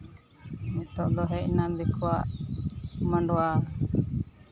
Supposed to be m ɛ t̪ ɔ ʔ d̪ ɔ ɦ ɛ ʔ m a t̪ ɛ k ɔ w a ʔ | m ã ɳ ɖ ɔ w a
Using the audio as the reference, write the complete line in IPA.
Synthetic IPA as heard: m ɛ t̪ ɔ ʔ d̪ ɔ ɦ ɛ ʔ n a d̪ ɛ k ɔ w a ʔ | m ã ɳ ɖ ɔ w a